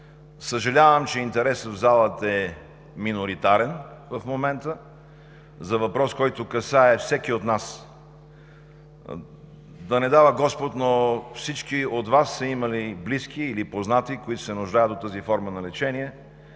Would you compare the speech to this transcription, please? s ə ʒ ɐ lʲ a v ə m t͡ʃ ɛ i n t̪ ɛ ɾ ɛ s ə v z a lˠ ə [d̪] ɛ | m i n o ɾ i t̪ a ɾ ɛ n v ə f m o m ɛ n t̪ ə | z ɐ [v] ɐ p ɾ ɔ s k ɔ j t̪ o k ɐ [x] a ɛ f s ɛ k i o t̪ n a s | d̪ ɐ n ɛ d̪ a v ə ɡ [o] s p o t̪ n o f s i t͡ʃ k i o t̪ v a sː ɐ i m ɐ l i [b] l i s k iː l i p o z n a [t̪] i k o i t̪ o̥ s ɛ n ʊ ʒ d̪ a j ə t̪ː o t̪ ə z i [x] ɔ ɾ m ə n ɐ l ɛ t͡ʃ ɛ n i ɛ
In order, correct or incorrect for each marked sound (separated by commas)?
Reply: incorrect, correct, incorrect, incorrect, correct, correct, incorrect